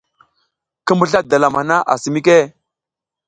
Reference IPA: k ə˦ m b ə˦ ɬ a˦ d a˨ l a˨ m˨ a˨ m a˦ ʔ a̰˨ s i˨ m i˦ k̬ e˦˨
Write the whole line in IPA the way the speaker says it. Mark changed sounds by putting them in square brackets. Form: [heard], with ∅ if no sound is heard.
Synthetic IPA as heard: k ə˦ m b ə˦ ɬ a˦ d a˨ l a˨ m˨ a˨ [n] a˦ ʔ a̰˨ s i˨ m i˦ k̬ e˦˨